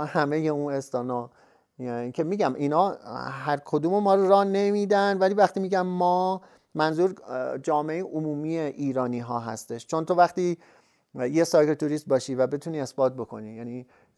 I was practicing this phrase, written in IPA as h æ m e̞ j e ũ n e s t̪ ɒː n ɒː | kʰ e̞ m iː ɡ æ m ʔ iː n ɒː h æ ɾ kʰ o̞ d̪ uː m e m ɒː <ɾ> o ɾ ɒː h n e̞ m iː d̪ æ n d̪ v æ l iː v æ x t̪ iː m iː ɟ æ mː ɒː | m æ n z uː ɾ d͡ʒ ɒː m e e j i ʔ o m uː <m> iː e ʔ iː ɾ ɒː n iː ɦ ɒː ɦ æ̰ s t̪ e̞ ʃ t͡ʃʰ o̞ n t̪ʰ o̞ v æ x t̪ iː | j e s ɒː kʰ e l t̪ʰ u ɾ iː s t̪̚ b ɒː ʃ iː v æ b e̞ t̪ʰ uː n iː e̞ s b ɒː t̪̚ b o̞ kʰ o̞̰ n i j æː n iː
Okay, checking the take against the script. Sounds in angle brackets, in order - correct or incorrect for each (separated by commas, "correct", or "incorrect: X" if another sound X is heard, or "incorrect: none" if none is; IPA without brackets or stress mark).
correct, correct